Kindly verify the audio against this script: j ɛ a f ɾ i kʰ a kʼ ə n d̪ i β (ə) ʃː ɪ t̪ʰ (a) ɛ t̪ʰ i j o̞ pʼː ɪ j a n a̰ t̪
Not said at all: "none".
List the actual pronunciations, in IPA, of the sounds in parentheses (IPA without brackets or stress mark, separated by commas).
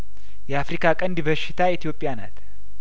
ə, a